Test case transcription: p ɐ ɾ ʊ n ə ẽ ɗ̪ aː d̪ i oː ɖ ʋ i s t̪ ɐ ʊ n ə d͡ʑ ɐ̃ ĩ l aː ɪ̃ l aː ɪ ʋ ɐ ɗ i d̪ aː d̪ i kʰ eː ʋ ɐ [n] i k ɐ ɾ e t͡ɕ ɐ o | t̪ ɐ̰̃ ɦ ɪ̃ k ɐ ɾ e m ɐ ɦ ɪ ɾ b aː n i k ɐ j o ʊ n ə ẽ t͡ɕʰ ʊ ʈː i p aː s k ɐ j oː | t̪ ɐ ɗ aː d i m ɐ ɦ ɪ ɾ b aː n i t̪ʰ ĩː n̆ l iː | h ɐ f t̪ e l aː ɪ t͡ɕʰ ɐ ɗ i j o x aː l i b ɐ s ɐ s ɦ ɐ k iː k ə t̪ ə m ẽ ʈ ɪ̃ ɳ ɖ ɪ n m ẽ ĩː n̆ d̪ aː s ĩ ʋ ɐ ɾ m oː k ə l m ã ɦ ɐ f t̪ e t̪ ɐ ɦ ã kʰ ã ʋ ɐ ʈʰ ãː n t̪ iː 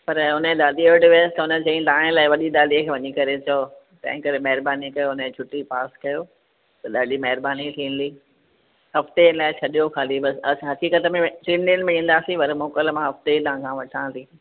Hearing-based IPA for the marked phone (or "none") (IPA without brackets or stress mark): ɲ